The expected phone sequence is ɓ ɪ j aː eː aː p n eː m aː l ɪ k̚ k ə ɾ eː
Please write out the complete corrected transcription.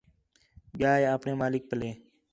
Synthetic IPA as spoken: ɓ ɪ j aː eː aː p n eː m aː l ɪ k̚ p ə l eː